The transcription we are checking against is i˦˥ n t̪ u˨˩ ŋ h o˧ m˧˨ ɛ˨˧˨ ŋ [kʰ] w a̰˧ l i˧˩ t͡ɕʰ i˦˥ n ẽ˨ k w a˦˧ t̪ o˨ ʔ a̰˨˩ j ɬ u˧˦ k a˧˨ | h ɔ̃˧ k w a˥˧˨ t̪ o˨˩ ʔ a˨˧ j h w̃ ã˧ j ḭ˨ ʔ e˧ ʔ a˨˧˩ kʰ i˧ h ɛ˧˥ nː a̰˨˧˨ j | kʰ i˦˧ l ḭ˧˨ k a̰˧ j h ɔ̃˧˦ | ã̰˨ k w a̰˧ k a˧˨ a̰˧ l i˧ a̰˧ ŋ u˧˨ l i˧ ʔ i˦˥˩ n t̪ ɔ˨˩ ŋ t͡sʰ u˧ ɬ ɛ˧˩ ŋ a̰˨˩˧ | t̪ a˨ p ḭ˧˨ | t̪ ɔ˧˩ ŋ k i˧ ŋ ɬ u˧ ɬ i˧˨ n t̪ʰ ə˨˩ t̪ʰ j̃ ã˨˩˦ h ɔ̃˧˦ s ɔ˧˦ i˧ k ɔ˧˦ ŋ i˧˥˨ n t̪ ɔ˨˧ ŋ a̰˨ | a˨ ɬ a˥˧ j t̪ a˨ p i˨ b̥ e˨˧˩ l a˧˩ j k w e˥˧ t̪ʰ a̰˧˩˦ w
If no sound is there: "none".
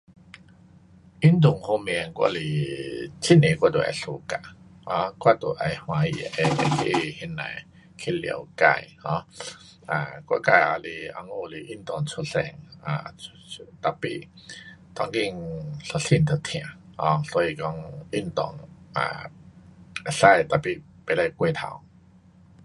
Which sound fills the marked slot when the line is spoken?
k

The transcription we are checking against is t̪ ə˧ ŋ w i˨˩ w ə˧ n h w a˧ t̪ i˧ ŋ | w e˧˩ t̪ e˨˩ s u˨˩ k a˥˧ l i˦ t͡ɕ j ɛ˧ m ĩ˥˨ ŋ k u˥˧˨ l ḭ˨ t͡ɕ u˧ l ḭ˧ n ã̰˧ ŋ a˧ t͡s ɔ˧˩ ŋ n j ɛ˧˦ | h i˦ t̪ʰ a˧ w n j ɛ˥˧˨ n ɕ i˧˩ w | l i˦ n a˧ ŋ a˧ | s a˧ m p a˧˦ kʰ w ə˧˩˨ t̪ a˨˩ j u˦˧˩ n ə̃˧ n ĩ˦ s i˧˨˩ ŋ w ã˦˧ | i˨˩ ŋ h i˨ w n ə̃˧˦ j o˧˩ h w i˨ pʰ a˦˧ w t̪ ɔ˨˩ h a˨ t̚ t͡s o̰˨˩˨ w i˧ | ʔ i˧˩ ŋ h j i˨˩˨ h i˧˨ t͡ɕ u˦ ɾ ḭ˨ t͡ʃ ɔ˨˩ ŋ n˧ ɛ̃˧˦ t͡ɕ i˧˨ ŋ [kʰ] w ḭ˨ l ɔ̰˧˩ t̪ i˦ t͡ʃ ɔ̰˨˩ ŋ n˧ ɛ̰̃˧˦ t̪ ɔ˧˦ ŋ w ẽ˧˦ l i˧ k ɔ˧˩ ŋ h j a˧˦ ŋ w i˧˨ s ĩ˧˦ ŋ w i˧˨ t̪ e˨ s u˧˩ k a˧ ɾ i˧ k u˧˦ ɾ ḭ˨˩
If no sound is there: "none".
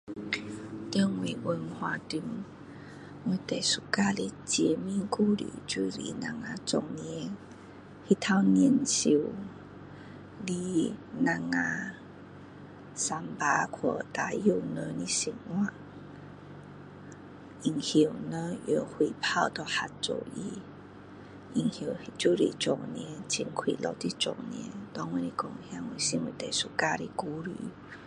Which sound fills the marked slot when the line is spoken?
kʰ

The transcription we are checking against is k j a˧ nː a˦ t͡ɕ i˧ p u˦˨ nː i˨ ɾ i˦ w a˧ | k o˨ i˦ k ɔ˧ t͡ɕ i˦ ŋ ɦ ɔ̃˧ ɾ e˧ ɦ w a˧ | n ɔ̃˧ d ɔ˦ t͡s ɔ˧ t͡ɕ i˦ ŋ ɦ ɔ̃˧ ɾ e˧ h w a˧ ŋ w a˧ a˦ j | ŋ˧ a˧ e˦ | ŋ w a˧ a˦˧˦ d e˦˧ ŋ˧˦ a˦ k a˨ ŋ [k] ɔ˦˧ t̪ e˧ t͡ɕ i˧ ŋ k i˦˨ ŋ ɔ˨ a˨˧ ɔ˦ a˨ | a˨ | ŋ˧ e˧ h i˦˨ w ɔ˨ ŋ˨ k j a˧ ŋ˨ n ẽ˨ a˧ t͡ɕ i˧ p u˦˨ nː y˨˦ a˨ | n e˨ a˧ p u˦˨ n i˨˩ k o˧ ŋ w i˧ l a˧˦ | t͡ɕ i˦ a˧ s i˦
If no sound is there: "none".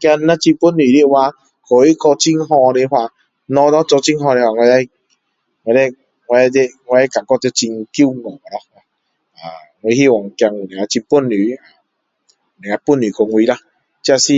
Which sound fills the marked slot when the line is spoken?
k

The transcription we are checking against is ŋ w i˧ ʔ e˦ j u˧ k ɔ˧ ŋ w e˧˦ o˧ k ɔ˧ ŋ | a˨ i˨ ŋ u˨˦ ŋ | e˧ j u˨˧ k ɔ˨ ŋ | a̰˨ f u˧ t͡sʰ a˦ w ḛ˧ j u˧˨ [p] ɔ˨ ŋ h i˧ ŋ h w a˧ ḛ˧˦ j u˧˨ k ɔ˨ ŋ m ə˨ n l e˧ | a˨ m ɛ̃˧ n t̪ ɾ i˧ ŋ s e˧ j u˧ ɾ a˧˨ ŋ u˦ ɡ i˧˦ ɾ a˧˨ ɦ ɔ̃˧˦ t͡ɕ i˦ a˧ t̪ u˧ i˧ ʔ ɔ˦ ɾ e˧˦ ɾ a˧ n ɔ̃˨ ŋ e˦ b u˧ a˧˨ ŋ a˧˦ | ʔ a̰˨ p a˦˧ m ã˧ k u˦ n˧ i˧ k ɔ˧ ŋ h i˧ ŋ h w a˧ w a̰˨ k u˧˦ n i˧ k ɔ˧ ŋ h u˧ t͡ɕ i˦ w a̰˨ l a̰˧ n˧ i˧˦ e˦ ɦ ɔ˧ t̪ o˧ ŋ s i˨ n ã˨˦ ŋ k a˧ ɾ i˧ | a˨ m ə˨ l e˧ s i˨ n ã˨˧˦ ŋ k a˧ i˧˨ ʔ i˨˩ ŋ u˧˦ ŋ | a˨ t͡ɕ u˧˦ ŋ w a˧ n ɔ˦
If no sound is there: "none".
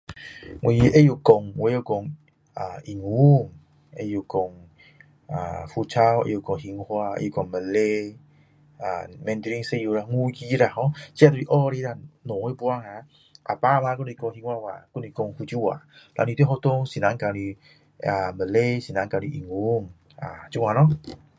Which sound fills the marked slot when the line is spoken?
k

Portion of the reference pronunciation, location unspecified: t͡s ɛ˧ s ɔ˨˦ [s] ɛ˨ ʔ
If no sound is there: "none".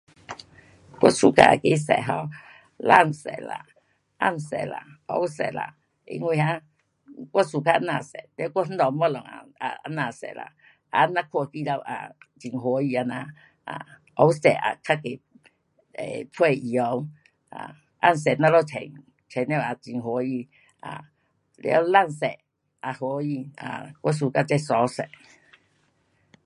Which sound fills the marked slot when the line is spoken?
s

